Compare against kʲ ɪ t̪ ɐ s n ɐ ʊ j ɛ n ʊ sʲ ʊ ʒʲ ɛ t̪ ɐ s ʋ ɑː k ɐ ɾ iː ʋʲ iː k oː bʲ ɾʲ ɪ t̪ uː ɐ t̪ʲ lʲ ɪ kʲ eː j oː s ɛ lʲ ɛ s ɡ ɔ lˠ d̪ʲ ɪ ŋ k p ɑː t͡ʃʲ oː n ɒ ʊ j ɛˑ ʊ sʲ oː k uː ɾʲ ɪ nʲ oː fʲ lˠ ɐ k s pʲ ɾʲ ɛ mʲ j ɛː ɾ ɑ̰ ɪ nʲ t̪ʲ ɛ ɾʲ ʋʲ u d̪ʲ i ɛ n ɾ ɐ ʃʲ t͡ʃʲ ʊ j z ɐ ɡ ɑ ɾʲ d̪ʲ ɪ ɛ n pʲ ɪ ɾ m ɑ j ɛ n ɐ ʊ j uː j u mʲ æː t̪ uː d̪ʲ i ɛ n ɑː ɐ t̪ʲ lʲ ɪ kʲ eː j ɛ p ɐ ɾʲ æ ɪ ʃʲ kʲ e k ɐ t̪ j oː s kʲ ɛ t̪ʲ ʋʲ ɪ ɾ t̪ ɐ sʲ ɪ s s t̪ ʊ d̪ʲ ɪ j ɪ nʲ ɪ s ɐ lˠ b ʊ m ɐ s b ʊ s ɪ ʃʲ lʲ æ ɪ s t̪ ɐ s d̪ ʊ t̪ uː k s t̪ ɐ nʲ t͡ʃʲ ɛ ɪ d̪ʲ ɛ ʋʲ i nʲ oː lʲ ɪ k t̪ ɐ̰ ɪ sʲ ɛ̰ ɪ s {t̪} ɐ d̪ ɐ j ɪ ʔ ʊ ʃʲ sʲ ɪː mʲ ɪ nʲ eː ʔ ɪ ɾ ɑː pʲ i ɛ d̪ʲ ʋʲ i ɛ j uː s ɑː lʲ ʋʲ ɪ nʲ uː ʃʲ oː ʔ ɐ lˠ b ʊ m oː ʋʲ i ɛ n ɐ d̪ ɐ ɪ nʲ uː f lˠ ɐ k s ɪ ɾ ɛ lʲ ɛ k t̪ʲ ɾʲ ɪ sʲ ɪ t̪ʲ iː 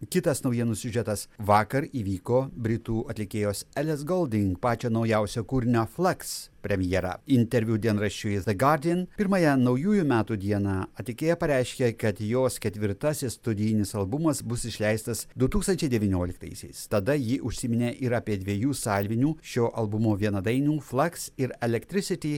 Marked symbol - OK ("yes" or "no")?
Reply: yes